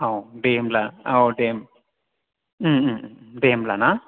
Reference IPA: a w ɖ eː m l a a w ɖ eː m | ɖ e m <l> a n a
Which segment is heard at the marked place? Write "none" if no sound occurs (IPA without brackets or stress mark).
l